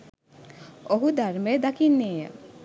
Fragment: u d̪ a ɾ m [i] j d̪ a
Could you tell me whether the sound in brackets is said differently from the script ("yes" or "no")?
yes